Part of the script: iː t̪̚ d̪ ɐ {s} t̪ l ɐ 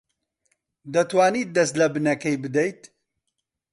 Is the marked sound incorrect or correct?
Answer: correct